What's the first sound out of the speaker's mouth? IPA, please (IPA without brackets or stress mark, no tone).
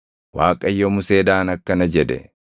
w